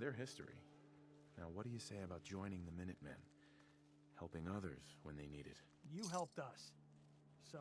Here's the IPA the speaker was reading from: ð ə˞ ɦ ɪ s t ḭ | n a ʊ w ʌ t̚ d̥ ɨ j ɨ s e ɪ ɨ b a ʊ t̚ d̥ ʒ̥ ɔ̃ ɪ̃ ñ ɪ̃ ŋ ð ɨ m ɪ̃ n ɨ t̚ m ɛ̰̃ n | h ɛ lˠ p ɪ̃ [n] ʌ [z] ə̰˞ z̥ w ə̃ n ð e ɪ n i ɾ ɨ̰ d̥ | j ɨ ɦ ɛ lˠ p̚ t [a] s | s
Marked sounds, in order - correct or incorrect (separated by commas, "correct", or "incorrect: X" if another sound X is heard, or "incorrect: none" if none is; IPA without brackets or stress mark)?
incorrect: ŋ, incorrect: ð, incorrect: ʌ